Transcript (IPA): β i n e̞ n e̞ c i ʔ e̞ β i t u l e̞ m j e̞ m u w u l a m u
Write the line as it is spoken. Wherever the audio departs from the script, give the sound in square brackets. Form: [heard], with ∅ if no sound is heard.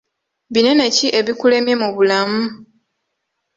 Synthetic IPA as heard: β i n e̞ n e̞ c i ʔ e̞ β i [k] u l e̞ m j e̞ m u [β] u l a m u